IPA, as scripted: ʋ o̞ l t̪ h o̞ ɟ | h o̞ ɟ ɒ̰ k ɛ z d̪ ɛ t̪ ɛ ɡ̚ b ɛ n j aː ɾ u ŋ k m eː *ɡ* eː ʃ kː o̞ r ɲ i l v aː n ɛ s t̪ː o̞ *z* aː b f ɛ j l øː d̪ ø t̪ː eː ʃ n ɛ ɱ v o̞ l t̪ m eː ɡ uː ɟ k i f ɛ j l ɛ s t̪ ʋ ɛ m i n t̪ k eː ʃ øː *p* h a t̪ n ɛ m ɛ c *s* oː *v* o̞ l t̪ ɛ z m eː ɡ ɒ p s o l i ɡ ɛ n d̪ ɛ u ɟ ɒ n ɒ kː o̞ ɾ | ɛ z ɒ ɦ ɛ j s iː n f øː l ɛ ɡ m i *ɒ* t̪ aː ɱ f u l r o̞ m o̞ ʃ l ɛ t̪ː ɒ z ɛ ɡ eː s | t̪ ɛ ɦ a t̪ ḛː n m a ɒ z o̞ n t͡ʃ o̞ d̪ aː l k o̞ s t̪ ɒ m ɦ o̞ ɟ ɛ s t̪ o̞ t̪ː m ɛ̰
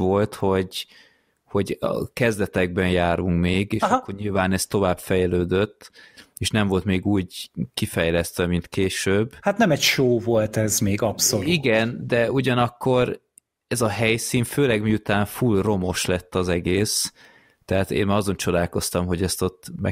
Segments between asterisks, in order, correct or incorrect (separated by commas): correct, incorrect, incorrect, incorrect, correct, incorrect